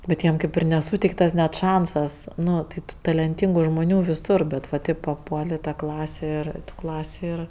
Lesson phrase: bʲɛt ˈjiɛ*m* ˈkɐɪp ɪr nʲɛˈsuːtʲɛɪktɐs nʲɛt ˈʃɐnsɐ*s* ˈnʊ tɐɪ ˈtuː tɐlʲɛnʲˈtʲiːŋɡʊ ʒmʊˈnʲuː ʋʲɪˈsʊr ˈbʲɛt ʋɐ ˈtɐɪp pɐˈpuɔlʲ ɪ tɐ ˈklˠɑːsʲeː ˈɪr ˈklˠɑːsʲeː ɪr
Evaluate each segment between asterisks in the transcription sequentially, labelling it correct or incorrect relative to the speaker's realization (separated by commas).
correct, correct